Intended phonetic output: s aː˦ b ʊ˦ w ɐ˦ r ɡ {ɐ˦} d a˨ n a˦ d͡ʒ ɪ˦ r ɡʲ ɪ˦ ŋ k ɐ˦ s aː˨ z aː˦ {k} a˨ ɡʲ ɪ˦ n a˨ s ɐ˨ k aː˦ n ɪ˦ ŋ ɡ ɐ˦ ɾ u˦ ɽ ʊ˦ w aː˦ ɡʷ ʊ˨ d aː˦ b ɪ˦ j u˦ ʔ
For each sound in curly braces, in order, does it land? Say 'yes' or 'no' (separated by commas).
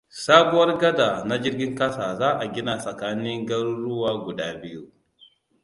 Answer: yes, no